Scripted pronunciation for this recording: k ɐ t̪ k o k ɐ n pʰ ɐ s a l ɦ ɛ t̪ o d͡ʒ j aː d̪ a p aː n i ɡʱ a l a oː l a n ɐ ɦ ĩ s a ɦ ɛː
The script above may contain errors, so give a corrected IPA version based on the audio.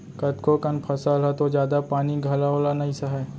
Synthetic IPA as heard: k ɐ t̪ k o k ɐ n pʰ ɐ s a l ɦ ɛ t̪ o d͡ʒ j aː d̪ a p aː n i ɡʱ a l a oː l a n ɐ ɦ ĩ s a ɦ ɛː

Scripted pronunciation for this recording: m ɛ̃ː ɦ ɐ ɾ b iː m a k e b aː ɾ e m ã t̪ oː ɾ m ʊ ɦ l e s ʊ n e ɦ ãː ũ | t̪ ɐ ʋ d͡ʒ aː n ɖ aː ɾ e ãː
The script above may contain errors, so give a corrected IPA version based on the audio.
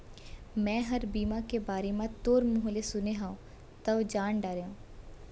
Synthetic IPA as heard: m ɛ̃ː ɦ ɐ ɾ b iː m a k e b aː ɾ e m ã t̪ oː ɾ m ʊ ɦ l e s ʊ n e ɦ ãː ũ | t̪ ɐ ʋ d͡ʒ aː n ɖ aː ɾ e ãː

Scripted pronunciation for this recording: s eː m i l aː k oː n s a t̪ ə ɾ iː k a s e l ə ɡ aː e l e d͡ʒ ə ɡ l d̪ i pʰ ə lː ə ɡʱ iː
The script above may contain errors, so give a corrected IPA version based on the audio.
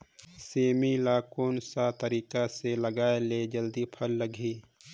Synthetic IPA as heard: s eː m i l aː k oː n s a t̪ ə ɾ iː k a s e l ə ɡ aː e l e d͡ʒ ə l d̪ i pʰ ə lː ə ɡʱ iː

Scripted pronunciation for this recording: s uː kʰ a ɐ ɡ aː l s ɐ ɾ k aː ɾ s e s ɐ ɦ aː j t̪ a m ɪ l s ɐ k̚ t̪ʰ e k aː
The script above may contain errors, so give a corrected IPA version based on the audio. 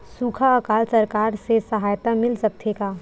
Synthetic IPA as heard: s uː kʰ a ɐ k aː l s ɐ ɾ k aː ɾ s e s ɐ ɦ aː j t̪ a m ɪ l s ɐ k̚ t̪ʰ e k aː

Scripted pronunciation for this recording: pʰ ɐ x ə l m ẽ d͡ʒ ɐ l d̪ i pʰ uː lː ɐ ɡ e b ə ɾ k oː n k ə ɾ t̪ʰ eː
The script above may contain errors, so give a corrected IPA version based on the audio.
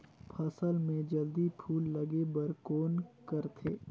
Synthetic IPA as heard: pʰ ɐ s ə l m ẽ d͡ʒ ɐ l d̪ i pʰ uː lː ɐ ɡ e b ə ɾ k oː n k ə ɾ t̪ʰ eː

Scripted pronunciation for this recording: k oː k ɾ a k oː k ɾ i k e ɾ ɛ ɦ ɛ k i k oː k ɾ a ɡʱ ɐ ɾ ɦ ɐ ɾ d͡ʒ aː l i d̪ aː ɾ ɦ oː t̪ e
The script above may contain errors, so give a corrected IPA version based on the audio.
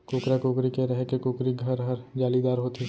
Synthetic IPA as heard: k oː k ɾ a k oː k ɾ i k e ɾ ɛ ɦ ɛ k e k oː k ɾ i ɡʱ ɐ ɾ ɦ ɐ ɾ d͡ʒ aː l i d̪ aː ɾ ɦ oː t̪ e

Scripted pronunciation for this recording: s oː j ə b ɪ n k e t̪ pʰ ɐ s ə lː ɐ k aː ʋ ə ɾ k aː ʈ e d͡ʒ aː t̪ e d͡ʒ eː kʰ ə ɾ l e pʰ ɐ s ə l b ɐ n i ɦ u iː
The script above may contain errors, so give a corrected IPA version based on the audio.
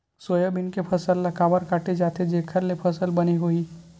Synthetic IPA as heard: s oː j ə b ɪ n k e pʰ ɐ s ə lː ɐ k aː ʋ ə ɾ k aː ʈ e d͡ʒ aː t̪ e d͡ʒ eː kʰ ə ɾ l e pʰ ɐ s ə l b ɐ n i ɦ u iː

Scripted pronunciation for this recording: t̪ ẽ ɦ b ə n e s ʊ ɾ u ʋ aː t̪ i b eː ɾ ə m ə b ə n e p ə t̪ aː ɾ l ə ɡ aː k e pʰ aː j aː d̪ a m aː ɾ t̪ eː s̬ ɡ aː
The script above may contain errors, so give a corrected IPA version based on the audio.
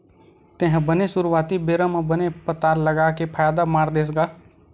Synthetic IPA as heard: t̪ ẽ ɦ b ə n e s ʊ ɾ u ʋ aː t̪ i b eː ɾ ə m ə b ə n e p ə t̪ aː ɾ l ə ɡ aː k e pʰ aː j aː d̪ a m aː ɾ d̪ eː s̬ ɡ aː

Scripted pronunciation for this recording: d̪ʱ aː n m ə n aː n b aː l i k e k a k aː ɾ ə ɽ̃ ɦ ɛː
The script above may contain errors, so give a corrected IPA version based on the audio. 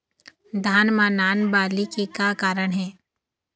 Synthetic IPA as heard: d̪ʱ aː n m a n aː n b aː l i k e k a k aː ɾ ə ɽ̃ ɦ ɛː

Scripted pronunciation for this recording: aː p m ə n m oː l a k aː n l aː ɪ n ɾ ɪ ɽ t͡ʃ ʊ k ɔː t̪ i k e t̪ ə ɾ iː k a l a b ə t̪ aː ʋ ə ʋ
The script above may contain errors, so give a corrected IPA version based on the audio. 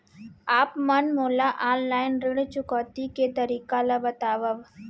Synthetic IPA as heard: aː p m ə n m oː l a ʔ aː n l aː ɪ n ɾ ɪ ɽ t͡ʃ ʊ k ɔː t̪ i k e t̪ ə ɾ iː k a l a b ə t̪ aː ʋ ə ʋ

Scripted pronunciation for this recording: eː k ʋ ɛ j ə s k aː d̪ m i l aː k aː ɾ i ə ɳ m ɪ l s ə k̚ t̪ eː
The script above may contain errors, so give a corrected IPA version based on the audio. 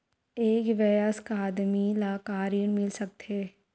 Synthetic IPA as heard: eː k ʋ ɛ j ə s k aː d̪ m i l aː k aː ɾ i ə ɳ m ɪ l s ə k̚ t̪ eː

